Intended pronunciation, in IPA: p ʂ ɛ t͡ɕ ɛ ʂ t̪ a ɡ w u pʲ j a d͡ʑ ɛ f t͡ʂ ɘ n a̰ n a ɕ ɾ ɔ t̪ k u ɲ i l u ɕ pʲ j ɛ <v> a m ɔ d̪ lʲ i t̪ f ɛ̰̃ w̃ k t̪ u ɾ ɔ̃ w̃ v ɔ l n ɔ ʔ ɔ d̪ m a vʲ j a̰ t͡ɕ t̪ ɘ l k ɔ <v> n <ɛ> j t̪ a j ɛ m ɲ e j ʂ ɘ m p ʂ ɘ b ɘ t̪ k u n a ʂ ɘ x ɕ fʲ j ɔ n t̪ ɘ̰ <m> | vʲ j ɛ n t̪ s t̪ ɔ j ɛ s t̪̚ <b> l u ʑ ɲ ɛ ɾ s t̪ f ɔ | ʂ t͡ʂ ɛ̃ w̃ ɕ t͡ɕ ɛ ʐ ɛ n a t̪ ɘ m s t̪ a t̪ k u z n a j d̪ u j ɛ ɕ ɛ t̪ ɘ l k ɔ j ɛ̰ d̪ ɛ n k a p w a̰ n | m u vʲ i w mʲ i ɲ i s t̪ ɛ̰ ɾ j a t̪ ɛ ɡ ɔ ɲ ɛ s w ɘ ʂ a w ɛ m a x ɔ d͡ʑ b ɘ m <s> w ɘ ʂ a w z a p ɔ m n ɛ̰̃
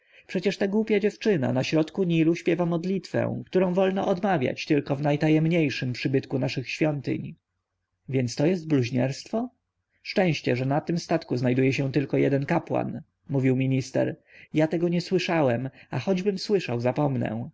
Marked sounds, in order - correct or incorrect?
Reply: correct, correct, incorrect: a, incorrect: ɲ, correct, correct

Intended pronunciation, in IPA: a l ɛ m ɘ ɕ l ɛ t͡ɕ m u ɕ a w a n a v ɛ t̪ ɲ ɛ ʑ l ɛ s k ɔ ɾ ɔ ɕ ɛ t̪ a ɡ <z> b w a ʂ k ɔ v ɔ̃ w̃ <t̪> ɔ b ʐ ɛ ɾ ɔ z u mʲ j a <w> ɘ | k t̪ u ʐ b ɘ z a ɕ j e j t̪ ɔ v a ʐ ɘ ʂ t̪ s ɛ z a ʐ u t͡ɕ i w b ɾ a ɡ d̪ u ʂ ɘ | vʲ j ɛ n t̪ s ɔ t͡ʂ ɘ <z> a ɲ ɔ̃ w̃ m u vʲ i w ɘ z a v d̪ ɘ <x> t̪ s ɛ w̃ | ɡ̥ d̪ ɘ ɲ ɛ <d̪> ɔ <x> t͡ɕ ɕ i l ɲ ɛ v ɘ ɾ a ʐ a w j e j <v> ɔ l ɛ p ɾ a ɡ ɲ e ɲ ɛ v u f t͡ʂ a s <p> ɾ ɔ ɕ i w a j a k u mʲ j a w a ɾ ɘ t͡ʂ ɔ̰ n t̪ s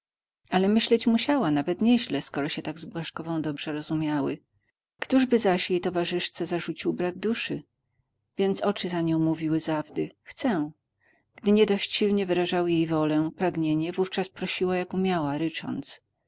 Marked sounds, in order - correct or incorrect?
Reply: correct, incorrect: d̪, correct, correct, correct, correct, incorrect: ɕ, correct, correct

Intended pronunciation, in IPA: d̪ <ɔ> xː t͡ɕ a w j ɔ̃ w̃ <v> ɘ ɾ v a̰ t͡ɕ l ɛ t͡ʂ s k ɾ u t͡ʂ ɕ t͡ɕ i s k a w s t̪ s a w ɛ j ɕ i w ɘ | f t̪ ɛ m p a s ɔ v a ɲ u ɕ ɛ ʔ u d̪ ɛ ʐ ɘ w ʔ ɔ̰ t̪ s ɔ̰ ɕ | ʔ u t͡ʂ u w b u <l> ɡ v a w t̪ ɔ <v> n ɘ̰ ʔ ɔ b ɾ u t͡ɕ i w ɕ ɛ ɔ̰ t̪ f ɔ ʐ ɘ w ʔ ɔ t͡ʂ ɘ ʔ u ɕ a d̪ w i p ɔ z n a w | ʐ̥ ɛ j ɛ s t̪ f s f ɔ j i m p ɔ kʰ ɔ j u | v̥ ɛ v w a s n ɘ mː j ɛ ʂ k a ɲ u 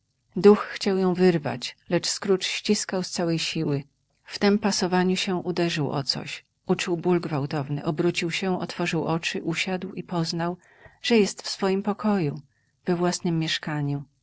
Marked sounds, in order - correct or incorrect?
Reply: incorrect: u, correct, correct, correct

